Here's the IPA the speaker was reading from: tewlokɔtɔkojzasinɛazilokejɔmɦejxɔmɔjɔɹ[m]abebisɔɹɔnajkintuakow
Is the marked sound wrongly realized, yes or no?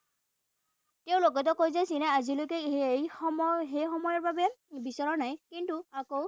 yes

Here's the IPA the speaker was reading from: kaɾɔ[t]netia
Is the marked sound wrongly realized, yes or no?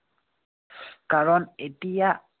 yes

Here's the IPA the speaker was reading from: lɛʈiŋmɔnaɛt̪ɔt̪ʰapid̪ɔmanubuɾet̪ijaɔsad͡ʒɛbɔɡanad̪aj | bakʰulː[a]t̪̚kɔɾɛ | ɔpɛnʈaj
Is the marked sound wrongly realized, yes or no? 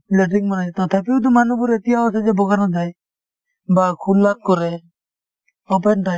no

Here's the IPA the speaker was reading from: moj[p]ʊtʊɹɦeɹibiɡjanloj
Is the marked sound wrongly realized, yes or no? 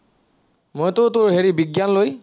yes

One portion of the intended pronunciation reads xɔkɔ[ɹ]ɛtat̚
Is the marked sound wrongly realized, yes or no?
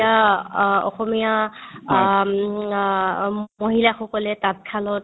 yes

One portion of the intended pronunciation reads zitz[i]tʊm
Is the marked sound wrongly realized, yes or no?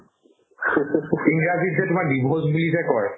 yes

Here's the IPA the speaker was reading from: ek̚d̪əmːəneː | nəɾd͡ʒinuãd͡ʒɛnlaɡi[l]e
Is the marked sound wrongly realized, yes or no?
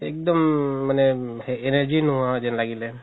no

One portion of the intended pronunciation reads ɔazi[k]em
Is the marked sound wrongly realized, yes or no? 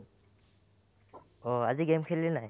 yes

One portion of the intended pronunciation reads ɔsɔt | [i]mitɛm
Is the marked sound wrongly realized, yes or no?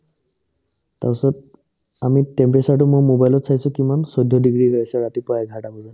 yes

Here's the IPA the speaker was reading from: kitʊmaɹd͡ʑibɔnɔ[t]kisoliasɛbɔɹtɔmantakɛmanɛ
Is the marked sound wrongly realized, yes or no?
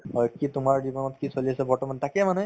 no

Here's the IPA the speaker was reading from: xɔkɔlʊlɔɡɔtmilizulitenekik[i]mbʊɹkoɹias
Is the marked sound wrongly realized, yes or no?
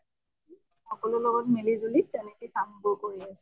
yes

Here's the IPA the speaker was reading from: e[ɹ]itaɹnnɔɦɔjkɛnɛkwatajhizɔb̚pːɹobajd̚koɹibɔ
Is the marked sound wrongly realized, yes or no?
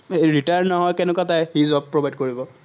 no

